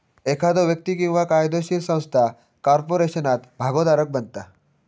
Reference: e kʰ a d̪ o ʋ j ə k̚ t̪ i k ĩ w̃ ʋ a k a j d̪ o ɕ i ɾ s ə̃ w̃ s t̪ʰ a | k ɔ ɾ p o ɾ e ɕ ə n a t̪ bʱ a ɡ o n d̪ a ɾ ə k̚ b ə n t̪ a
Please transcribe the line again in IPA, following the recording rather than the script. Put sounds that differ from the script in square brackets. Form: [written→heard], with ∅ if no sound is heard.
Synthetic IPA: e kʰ a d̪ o ʋ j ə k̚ t̪ i k ĩ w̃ ʋ a k a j d̪ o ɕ i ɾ s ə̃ w̃ s t̪ʰ a | k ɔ ɾ p o ɾ e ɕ ə n a t̪ bʱ a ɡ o [n→∅] d̪ a ɾ ə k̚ b ə n t̪ a